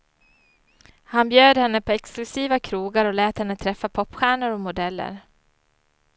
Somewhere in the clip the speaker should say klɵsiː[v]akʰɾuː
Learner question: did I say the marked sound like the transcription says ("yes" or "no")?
yes